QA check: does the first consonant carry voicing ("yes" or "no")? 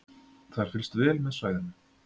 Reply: no